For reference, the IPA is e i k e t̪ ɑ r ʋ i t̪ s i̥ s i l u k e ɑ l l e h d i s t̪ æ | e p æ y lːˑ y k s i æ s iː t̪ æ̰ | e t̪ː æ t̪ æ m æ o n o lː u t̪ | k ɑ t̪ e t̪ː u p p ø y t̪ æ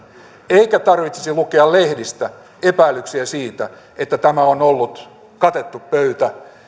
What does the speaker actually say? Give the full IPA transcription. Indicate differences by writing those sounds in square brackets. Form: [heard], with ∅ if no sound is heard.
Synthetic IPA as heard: e i k [æ] t̪ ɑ r ʋ i t̪ s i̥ s i l u k e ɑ l l e h d i s t̪ æ | e p æ [i] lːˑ y k s i æ s iː t̪ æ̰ | e t̪ː æ t̪ æ m æ o n o lː u t̪ | k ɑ t̪ e t̪ː u p p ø y t̪ æ